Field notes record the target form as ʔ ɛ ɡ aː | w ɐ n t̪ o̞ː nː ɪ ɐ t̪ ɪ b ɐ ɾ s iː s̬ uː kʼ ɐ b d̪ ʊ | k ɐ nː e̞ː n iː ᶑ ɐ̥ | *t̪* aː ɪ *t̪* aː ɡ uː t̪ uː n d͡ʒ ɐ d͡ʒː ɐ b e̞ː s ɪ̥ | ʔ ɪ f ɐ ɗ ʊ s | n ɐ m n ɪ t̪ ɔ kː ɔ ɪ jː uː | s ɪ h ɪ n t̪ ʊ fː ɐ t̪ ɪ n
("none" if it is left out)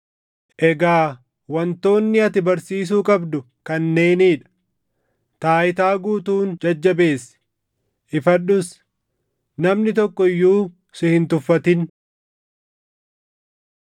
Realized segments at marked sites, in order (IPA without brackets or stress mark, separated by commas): t̪, t̪